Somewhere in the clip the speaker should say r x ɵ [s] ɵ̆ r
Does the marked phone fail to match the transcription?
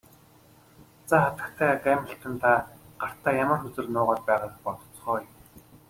yes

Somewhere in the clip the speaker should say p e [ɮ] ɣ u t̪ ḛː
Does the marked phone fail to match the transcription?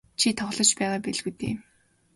no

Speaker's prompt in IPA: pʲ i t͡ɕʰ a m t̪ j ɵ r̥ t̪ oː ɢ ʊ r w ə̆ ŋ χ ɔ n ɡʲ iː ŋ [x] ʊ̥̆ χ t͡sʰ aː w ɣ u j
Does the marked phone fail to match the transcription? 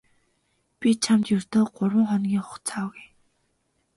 yes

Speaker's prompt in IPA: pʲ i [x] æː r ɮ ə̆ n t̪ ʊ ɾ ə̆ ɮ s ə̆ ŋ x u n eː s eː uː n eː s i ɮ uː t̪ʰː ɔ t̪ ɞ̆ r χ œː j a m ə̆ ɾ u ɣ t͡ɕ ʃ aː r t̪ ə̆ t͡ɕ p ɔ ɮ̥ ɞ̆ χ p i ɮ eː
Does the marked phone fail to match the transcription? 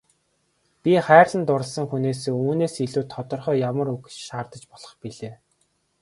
yes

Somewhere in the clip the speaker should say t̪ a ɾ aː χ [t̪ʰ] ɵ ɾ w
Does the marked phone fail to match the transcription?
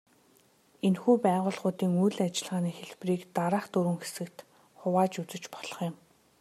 yes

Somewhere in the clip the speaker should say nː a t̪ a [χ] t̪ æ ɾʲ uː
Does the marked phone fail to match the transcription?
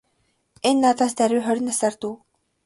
yes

